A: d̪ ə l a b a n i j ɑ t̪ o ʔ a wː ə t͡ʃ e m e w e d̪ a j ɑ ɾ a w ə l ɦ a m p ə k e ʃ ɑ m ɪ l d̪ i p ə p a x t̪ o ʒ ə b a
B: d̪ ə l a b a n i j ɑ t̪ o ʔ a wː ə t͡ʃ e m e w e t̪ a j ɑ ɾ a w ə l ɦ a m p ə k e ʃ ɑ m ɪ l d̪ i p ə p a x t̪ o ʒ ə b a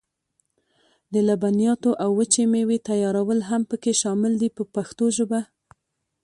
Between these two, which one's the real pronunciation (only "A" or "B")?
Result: B